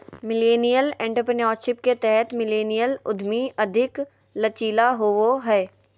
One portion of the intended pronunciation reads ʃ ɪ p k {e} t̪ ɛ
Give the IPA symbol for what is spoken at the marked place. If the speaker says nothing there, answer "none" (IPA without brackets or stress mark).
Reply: e